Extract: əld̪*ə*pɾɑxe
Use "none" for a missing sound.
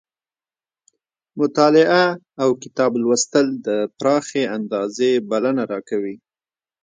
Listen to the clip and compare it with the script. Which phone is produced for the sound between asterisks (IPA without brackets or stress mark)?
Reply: ə